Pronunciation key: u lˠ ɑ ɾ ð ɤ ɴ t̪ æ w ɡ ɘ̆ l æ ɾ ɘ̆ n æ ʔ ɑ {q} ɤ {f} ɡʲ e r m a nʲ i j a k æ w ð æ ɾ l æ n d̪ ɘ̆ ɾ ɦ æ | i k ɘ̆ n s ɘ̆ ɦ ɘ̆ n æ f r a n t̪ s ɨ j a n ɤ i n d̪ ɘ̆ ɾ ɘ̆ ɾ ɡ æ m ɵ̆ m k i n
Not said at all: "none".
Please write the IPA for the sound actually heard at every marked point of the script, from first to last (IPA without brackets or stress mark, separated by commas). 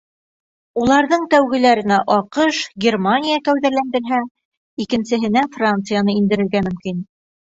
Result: q, ʃ